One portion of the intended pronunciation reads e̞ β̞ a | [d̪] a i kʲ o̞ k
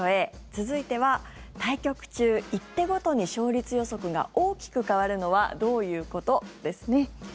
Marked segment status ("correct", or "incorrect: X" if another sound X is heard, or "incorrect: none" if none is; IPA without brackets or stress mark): incorrect: t̪